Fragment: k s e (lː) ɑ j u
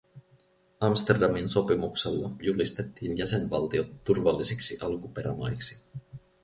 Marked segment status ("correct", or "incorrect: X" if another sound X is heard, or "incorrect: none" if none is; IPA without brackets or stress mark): correct